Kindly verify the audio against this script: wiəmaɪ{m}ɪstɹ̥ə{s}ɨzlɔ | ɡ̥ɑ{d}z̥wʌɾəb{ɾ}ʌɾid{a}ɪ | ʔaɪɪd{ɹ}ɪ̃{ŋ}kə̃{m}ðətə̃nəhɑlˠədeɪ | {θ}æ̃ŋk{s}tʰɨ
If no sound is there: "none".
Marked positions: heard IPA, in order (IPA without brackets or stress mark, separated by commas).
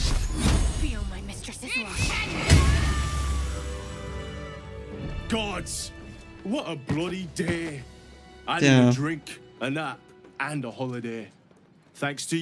m, s, d, l, e, ɹ, ŋ, n, θ, s